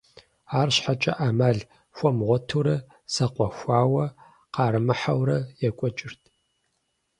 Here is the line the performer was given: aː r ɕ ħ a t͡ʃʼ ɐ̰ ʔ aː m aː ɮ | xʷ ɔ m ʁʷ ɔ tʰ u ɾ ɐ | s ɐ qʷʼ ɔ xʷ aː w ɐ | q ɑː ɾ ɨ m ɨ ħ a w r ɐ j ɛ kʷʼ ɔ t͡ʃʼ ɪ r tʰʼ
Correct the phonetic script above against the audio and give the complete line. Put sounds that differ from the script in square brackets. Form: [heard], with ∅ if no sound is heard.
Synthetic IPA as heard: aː r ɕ ħ a t͡ʃʼ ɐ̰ ʔ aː m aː ɮ | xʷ ɔ m ʁʷ ɔ tʰ u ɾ ɐ | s ɐ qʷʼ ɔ xʷ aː w ɐ | q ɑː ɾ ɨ m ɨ ħ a w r ɐ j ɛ kʷʼ ɔ t͡ʃʼ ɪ r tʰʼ